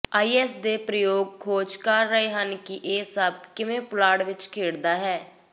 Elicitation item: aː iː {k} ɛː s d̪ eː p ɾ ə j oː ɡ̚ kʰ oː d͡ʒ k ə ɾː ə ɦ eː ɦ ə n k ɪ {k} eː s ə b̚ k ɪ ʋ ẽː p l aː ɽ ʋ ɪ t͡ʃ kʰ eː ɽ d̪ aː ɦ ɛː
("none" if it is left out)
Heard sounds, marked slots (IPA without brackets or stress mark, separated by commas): none, ʔ